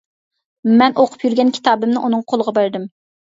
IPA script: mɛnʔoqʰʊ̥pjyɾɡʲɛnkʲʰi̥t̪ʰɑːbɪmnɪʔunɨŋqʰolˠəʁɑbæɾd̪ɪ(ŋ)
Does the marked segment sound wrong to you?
yes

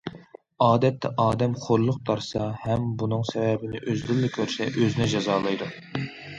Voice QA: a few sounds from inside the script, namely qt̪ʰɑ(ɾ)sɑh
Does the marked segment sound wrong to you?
no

